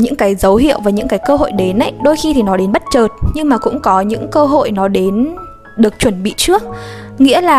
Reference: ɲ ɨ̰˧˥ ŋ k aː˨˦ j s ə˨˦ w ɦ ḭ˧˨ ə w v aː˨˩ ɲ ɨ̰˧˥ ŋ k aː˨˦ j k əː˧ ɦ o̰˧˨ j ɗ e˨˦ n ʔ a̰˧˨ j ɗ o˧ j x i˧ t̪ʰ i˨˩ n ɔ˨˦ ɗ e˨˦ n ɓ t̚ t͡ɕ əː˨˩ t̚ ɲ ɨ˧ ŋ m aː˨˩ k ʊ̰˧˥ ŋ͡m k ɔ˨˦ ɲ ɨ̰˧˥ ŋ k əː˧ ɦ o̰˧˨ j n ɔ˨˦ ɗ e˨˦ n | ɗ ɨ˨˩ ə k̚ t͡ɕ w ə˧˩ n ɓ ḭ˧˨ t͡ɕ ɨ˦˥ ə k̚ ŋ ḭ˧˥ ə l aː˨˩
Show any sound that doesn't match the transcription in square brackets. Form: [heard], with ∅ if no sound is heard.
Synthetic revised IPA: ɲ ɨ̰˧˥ ŋ k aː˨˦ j [z] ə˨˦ w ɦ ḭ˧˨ ə w v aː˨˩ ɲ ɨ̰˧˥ ŋ k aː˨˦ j k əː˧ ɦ o̰˧˨ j ɗ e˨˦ n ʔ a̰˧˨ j ɗ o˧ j x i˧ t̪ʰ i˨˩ n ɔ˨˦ ɗ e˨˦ n ɓ t̚ t͡ɕ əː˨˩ t̚ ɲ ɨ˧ ŋ m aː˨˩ k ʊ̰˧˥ ŋ͡m k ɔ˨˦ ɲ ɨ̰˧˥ ŋ k əː˧ ɦ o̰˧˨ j n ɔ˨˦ ɗ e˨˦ n | ɗ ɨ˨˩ ə k̚ t͡ɕ w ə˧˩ n ɓ ḭ˧˨ t͡ɕ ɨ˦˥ ə k̚ ŋ ḭ˧˥ ə l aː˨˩